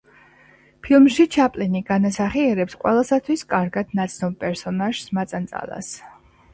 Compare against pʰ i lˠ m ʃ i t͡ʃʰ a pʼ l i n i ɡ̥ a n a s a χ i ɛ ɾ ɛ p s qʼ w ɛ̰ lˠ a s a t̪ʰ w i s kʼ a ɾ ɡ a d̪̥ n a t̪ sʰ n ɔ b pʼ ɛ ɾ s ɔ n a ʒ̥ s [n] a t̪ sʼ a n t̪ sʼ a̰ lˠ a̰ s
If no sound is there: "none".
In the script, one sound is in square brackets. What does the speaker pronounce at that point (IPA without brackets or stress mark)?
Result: m